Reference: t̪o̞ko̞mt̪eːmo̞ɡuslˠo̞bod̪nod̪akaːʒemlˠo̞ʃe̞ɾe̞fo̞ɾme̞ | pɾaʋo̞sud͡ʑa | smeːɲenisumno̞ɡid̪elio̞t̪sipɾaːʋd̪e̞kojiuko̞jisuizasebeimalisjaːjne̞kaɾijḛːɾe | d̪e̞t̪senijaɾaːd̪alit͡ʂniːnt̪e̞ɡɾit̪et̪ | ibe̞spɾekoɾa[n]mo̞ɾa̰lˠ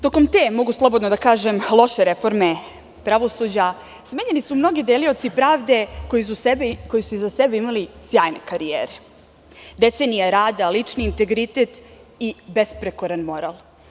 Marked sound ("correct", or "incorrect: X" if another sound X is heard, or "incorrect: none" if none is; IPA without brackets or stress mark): correct